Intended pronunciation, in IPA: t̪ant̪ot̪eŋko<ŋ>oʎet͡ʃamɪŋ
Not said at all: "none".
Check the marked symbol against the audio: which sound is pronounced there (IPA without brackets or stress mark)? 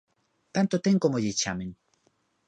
m